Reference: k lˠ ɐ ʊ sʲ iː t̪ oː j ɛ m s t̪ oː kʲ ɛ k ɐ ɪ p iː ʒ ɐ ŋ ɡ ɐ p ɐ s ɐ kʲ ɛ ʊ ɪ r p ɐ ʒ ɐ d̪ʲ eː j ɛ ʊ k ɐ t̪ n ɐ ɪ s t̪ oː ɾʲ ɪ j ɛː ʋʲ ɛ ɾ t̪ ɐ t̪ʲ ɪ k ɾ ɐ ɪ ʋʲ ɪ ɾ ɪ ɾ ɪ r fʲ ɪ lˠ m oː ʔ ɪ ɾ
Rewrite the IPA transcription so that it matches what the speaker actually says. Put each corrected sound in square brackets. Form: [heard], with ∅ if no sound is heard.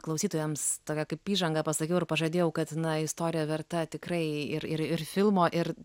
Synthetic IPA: k lˠ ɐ ʊ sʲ iː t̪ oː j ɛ m s t̪ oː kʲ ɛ k ɐ ɪ p iː ʒ ɐ ŋ ɡ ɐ p ɐ s ɐ kʲ ɛ ʊ ɪ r p ɐ ʒ ɐ d̪ʲ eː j ɛ ʊ k ɐ t̪ n ɐ ɪ s t̪ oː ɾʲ ɪ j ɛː ʋʲ ɛ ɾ t̪ ɐ t̪ʲ ɪ k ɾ ɐ ɪ [∅] ɪ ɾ ɪ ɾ ɪ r fʲ ɪ lˠ m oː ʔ ɪ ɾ